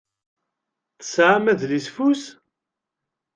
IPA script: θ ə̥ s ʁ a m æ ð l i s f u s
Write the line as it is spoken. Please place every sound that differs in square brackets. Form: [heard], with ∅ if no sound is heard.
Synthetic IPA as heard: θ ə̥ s [ʕ] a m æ ð l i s f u s